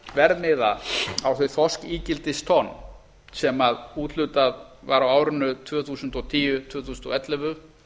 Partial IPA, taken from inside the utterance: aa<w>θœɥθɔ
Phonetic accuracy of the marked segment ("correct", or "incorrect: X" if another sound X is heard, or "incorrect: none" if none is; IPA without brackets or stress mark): correct